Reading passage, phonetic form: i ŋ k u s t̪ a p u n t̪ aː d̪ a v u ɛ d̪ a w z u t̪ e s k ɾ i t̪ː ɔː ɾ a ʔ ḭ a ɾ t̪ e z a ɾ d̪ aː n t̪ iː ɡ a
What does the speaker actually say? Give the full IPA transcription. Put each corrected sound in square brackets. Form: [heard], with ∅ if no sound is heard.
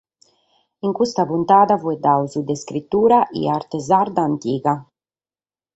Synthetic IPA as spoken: i ŋ k u s t̪ a p u n t̪ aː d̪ a v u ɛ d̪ a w z u [d̪] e s k ɾ i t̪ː [uː] ɾ a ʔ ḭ a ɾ t̪ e z a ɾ d̪ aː n t̪ iː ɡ a